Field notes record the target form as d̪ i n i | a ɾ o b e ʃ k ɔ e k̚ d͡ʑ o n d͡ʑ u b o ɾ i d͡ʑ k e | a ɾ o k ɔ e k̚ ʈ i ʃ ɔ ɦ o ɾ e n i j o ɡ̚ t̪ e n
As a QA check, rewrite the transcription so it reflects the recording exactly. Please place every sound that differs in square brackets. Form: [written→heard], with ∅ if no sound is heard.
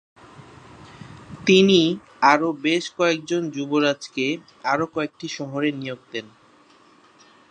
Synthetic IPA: [d̪→t̪] i n i | a ɾ o b e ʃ k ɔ e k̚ d͡ʑ o n d͡ʑ u b o ɾ [i→a] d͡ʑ k e | a ɾ o k ɔ e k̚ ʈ i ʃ ɔ ɦ o ɾ e n i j o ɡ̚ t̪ e n

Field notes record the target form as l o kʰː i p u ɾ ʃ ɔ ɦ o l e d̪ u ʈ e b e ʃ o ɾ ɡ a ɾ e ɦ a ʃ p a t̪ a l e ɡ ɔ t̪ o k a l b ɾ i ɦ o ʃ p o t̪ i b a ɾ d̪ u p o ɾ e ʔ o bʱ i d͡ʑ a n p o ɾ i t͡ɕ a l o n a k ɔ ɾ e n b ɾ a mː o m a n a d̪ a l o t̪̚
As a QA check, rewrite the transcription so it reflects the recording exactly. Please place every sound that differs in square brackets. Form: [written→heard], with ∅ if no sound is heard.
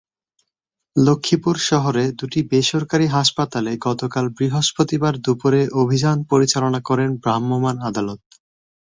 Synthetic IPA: l o kʰː i p u ɾ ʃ ɔ ɦ o [l→ɾ] e d̪ u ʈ [e→i] b e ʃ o ɾ [ɡ→k] a ɾ [e→i] ɦ a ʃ p a t̪ a l e ɡ ɔ t̪ o k a l b ɾ i ɦ o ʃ p o t̪ i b a ɾ d̪ u p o ɾ e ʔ o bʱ i d͡ʑ a n p o ɾ i t͡ɕ a l o n a k ɔ ɾ e n b ɾ a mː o m a n a d̪ a l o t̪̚

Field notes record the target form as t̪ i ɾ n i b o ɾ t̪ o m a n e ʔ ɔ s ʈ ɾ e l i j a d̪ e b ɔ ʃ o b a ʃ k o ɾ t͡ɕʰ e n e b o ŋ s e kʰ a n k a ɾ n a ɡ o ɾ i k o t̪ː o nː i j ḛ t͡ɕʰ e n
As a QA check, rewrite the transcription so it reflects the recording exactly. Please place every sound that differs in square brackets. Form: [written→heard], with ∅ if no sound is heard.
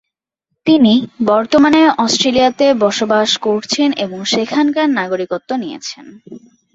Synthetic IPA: t̪ i [ɾ→∅] n i b [o→ɔ] ɾ t̪ o m a n e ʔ ɔ s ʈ ɾ e l i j a [d̪→t̪] e b ɔ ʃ o b a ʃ k o ɾ t͡ɕʰ e n e b o ŋ [s→ʃ] e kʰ a n k a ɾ n a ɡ o ɾ i k o t̪ː o [nː→n] i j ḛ t͡ɕʰ e n

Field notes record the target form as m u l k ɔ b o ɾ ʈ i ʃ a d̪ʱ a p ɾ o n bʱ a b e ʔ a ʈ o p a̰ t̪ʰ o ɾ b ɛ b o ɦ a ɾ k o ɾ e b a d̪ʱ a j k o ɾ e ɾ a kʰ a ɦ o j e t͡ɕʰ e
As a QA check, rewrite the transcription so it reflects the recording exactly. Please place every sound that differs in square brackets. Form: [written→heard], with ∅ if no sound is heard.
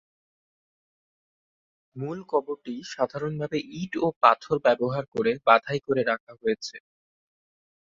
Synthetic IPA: m u l k ɔ b o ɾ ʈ i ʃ a d̪ʱ a [p→∅] ɾ o n bʱ a b e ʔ [a→i] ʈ o p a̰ t̪ʰ o ɾ b ɛ b o ɦ a ɾ k o ɾ e b a d̪ʱ a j k o ɾ e ɾ a kʰ a ɦ o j e t͡ɕʰ e

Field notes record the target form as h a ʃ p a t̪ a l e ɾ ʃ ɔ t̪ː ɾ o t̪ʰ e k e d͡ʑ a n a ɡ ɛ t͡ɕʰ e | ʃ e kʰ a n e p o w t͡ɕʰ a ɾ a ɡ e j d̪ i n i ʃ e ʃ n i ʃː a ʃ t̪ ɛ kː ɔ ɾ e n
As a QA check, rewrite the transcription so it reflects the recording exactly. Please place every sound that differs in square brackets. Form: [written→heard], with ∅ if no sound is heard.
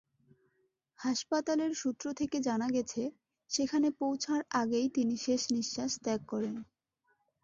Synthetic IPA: h a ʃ p a t̪ a l e ɾ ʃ [ɔ→u] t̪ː ɾ o t̪ʰ e k e d͡ʑ a n a ɡ ɛ t͡ɕʰ e | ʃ e kʰ a n e p o w t͡ɕʰ a ɾ a ɡ e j [d̪→t̪] i n i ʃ e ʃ n i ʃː a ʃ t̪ ɛ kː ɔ ɾ e n

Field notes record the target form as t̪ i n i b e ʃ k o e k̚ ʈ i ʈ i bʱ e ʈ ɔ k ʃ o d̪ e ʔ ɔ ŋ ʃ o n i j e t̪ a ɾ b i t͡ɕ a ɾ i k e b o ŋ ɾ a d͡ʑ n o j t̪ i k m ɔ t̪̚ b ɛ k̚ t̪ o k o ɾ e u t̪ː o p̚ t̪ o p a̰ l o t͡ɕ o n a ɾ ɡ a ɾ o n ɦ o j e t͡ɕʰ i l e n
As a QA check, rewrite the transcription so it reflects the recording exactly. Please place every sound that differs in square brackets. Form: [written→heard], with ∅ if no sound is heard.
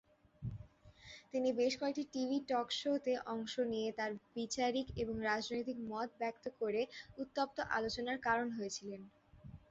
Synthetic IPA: t̪ i n i b e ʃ k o e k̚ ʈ i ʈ i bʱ [e→i] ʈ ɔ k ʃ o [d̪→t̪] e ʔ ɔ ŋ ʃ o n i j e t̪ a ɾ b i t͡ɕ a ɾ i k e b o ŋ ɾ a d͡ʑ n o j t̪ i k m ɔ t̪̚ b ɛ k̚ t̪ o k o ɾ e u t̪ː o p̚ t̪ o [p→ʔ] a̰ l o t͡ɕ o n a ɾ [ɡ→k] a ɾ o n ɦ o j e t͡ɕʰ i l e n

